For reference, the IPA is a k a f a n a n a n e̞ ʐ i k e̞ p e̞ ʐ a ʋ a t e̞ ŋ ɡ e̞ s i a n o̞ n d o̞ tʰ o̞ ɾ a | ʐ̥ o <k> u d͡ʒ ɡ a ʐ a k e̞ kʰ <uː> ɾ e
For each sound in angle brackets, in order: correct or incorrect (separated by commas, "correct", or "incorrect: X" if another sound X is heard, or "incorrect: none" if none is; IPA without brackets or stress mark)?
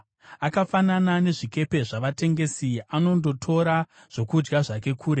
correct, correct